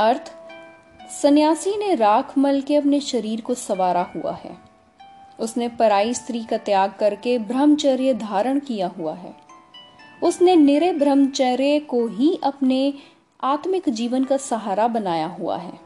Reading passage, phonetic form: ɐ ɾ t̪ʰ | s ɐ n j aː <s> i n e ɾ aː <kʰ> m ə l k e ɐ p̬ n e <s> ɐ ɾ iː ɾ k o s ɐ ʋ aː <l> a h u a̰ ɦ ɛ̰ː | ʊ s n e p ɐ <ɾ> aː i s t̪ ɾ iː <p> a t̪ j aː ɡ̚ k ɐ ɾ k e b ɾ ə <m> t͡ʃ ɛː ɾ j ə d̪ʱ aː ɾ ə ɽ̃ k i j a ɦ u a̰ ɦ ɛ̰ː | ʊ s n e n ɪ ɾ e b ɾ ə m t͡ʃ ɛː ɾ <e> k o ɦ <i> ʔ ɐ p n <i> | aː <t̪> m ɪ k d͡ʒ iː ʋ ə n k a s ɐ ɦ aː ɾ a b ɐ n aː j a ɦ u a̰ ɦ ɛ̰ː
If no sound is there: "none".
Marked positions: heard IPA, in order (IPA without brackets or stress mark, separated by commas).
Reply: s, kʰ, ʃ, ɾ, ɾ, k, m, e, i, e, t̪